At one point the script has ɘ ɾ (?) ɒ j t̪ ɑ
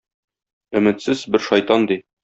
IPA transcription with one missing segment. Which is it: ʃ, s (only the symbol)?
ʃ